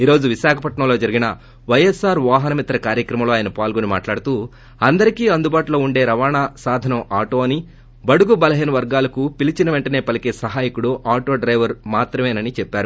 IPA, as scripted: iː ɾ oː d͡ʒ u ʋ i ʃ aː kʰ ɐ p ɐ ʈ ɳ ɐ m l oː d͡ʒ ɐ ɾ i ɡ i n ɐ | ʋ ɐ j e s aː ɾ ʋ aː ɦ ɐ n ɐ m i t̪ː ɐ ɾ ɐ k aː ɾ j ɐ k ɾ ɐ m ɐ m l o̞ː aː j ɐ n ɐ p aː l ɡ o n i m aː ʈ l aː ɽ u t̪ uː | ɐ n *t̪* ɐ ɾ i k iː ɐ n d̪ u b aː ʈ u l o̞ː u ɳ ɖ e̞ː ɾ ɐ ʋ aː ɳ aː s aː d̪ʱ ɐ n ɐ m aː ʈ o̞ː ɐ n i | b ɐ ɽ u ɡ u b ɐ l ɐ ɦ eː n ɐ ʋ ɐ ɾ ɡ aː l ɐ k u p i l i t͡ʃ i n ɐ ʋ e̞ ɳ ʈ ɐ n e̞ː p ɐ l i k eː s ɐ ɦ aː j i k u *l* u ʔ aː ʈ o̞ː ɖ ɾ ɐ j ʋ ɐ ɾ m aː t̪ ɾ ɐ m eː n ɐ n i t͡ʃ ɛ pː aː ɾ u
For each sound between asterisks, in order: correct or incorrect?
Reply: incorrect, incorrect

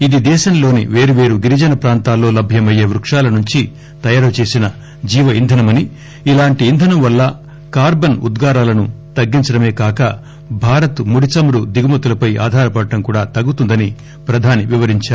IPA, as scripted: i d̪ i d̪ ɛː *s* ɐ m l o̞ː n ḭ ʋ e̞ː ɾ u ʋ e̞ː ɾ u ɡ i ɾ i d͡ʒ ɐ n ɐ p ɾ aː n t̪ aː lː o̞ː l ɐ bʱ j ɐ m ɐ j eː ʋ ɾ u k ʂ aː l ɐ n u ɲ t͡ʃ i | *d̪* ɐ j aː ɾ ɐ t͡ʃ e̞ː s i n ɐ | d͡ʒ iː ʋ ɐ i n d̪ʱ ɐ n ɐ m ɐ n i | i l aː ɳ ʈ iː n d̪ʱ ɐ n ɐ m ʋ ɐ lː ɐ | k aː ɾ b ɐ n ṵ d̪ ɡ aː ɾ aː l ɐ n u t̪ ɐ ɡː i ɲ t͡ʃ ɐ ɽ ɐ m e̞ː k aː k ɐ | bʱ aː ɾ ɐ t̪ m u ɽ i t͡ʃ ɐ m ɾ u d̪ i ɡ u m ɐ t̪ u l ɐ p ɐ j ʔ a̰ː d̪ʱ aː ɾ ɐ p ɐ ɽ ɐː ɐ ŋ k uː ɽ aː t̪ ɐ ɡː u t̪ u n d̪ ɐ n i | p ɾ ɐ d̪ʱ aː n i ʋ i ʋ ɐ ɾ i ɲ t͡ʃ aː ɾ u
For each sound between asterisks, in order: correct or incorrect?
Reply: incorrect, incorrect

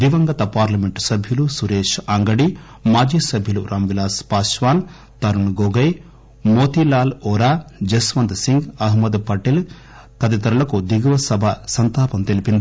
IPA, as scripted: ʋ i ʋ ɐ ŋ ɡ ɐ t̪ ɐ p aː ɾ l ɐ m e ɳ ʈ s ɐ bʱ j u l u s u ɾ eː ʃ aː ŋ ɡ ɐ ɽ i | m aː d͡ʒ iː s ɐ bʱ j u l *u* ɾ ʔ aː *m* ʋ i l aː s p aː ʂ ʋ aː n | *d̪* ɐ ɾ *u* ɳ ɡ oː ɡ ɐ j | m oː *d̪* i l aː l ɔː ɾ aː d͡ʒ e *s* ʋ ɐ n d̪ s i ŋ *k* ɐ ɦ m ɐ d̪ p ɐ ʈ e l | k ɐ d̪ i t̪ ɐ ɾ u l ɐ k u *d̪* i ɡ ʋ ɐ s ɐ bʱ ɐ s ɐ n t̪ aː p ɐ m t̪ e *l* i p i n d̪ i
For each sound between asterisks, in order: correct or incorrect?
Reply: correct, correct, incorrect, correct, incorrect, correct, incorrect, correct, correct

